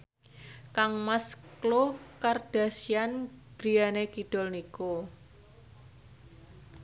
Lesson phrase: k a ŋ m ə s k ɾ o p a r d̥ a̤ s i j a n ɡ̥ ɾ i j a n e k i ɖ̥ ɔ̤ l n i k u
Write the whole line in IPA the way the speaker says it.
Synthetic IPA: k a ŋ m a s k l o k a r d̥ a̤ s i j a n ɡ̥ ɾ i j a n e k i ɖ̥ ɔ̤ l n i k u